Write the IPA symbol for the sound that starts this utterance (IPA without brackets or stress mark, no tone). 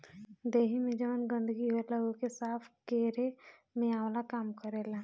d̪